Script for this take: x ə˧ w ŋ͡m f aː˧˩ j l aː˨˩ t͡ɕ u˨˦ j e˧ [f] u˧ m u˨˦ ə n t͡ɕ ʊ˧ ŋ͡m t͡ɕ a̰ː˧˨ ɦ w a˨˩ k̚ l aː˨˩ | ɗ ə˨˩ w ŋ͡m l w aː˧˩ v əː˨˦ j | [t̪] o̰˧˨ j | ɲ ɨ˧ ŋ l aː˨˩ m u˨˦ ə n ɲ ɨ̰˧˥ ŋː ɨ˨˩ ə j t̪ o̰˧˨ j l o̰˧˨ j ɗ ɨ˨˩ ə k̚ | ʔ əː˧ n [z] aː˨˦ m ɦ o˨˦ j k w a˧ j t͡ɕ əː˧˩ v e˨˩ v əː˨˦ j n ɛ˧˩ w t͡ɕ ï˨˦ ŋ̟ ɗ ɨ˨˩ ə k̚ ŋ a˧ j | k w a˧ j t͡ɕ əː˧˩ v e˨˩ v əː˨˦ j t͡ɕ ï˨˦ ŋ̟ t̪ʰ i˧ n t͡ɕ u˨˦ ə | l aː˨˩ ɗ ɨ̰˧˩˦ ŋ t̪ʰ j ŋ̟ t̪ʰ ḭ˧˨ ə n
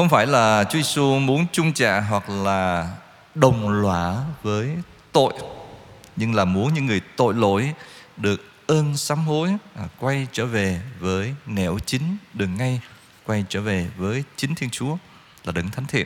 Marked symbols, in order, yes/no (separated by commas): no, yes, no